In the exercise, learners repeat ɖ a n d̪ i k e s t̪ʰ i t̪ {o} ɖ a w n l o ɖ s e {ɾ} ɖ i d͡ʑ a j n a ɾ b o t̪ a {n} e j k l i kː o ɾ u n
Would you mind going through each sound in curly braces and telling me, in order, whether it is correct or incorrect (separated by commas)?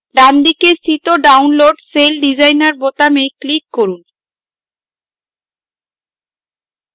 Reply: correct, incorrect, incorrect